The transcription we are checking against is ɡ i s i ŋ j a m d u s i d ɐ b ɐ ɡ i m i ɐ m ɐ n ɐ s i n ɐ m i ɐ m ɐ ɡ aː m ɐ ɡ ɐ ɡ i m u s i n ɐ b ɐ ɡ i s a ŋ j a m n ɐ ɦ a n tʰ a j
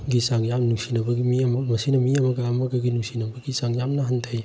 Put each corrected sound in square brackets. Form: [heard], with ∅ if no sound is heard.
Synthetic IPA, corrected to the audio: ɡ i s [a] ŋ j a m [n] u s i [n] ɐ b ɐ ɡ i m i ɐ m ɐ [m] ɐ s i n ɐ m i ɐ m ɐ ɡ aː m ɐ ɡ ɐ ɡ i [n] u s i n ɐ b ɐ ɡ i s a ŋ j a m n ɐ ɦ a n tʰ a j